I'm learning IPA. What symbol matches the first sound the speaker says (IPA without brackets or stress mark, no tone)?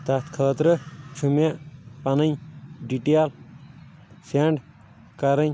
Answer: t̪